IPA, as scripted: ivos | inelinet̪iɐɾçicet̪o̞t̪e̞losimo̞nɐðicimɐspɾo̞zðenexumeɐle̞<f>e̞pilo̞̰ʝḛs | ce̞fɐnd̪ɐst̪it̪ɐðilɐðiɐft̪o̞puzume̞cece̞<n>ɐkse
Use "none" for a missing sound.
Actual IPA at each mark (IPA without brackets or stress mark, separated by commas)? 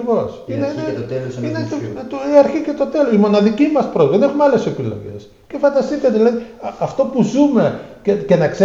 s, n